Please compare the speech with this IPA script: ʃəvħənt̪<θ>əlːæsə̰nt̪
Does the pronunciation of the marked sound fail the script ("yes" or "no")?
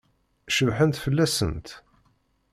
yes